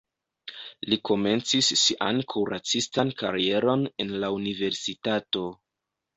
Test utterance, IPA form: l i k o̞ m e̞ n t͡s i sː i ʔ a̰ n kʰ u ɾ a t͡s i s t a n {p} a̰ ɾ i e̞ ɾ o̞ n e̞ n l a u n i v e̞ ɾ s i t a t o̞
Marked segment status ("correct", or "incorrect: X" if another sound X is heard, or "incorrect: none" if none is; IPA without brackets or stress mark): incorrect: k